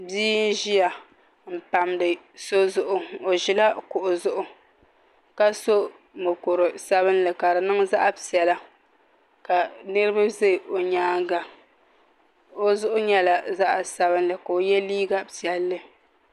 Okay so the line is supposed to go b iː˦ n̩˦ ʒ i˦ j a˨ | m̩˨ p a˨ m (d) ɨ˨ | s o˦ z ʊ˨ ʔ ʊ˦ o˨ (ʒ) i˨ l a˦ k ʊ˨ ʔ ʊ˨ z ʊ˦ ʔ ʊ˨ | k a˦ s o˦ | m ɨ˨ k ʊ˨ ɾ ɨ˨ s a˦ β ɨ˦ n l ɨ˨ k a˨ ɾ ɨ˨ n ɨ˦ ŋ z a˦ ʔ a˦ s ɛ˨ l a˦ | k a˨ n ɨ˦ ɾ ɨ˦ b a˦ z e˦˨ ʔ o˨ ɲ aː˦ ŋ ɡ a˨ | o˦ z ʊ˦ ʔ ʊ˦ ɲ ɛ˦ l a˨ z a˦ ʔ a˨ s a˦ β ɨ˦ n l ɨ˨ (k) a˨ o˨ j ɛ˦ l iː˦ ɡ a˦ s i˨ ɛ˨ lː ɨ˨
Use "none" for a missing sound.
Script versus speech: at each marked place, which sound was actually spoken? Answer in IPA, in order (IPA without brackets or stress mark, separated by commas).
d, ʒ, k